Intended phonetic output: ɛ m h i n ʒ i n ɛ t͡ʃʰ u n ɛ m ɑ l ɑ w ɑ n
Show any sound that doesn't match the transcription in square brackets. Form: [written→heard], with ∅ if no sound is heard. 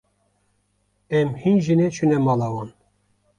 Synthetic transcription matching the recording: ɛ m h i n ʒ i n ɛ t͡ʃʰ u n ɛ m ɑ l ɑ w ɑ n